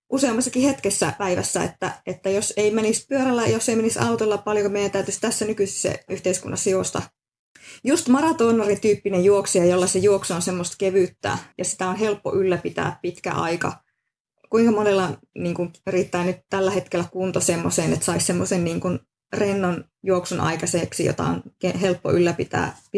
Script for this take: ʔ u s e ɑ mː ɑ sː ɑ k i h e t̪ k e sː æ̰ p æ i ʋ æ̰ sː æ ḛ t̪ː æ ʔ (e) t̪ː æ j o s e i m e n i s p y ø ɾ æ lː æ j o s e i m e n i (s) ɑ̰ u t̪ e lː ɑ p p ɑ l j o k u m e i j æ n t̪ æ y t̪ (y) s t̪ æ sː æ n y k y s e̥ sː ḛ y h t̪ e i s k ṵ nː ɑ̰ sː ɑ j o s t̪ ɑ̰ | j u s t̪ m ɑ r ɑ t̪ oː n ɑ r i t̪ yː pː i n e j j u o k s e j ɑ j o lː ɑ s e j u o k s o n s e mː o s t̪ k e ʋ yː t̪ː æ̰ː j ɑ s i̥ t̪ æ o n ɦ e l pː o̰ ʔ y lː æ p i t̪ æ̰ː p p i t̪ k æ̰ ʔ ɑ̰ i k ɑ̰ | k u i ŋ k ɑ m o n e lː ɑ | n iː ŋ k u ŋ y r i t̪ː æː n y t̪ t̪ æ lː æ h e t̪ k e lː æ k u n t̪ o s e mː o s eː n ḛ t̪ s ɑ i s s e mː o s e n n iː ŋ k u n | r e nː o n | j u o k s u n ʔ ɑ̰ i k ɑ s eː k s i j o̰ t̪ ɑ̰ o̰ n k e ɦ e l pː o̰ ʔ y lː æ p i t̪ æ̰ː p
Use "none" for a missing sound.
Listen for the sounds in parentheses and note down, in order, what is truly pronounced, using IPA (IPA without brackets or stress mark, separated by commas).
e, s, y